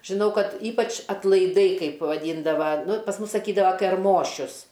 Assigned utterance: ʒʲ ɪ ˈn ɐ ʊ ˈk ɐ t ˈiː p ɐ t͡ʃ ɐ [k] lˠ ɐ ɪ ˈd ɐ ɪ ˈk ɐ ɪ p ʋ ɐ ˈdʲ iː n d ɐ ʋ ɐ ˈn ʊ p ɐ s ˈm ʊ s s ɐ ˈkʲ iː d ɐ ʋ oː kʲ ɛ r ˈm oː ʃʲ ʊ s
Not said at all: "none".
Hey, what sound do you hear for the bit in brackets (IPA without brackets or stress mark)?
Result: t